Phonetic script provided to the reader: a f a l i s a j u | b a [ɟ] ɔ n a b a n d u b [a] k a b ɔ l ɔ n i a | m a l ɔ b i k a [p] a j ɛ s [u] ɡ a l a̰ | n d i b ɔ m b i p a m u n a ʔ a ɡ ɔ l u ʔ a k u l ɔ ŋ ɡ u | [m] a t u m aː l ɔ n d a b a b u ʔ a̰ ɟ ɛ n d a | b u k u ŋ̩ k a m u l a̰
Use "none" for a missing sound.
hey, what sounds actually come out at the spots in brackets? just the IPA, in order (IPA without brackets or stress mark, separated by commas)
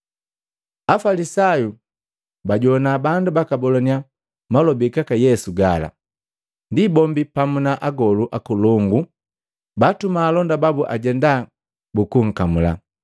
ɟ, a, k, u, b